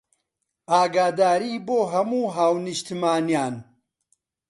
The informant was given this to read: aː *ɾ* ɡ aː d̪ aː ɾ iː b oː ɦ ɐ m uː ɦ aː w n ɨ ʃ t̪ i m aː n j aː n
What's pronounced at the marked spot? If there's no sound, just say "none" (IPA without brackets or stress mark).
none